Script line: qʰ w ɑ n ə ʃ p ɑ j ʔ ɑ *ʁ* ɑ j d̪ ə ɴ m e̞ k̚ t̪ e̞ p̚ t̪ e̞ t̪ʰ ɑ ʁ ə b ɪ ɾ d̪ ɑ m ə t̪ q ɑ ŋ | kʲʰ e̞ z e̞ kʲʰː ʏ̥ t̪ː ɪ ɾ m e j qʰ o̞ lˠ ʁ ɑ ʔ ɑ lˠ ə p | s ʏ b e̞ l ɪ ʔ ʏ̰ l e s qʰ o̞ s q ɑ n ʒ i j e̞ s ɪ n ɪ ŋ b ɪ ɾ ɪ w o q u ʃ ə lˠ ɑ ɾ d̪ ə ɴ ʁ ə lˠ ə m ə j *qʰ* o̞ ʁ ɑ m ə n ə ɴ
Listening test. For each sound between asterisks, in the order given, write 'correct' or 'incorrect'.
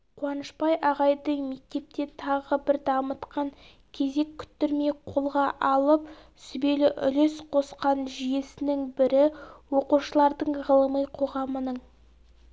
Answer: correct, correct

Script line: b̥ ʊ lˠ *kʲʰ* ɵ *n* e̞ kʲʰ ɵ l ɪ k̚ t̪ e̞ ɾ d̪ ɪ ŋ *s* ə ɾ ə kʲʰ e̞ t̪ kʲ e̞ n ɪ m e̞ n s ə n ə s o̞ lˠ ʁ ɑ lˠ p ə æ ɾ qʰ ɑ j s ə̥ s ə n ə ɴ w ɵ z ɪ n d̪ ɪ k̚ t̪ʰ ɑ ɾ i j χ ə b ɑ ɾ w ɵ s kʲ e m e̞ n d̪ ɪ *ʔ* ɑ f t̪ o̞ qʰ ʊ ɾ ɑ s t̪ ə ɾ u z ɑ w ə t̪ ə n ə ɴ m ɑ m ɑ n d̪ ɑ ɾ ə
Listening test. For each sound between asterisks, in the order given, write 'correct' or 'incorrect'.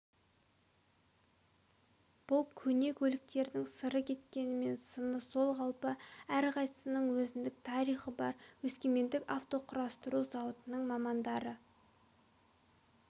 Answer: correct, correct, correct, incorrect

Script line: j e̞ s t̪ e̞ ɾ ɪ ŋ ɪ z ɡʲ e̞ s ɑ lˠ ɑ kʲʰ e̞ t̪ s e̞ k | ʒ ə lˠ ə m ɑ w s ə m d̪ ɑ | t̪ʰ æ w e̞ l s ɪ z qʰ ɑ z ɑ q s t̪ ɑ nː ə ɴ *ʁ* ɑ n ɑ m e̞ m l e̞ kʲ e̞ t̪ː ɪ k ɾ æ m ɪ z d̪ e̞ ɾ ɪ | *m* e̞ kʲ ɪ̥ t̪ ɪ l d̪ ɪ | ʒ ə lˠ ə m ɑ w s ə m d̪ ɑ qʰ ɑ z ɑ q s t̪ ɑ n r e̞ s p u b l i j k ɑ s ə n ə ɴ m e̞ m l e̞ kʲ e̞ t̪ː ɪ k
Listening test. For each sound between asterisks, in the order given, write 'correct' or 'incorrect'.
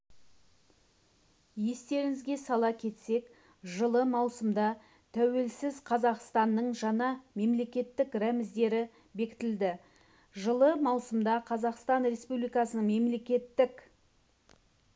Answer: incorrect, incorrect

